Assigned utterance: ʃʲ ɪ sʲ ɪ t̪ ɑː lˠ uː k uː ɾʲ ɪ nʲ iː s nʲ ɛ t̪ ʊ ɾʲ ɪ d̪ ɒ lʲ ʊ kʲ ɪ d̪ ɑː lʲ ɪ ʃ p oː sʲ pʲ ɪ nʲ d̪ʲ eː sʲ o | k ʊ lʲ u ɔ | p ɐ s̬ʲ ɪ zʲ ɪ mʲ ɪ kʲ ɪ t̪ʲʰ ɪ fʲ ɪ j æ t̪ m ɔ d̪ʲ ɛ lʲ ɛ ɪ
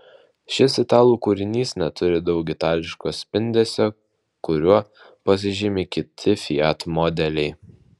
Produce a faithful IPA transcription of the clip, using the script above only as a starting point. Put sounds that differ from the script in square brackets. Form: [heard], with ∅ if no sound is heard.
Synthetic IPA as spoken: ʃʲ ɪ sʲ ɪ t̪ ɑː lˠ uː k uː ɾʲ ɪ nʲ iː s nʲ ɛ t̪ ʊ ɾʲ ɪ d̪ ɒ [∅] ʊ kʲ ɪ [t̪] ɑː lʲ ɪ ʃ [k] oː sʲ pʲ ɪ nʲ d̪ʲ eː sʲ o | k ʊ [ɾʲ] u ɔ | p ɐ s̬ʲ ɪ [ʒʲ] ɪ mʲ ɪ kʲ ɪ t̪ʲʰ ɪ fʲ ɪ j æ t̪ m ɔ d̪ʲ ɛ lʲ ɛ ɪ